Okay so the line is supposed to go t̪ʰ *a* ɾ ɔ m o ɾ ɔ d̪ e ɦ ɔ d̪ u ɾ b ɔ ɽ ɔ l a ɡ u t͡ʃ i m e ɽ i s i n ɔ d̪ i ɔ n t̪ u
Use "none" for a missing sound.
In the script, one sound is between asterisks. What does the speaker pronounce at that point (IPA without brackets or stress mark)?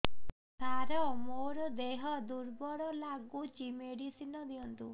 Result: a